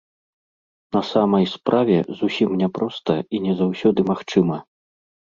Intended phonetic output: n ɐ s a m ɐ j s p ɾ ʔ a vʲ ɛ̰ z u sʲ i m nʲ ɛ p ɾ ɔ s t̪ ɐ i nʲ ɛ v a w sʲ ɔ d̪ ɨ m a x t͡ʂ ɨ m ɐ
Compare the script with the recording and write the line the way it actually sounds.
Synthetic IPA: n ɐ s a m ɐ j s p ɾ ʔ a vʲ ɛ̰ z u sʲ i m nʲ ɛ p ɾ ɔ s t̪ ɐ i nʲ ɛ z a w sʲ ɔ d̪ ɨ m a x t͡ʂ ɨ m ɐ